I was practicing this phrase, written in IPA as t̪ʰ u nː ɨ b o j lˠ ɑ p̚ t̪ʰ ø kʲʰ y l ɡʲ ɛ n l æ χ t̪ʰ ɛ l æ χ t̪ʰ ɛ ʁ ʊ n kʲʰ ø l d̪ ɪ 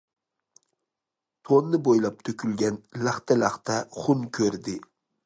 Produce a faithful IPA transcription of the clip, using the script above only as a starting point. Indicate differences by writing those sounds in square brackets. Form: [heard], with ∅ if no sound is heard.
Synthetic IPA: t̪ʰ [o] nː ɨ b o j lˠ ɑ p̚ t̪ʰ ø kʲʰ y l ɡʲ ɛ n l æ χ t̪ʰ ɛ l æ χ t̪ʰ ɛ [χ] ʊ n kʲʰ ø [ɾ] d̪ ɪ